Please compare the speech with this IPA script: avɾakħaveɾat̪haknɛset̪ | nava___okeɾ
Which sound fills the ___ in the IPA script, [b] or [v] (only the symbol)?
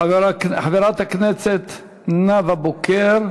b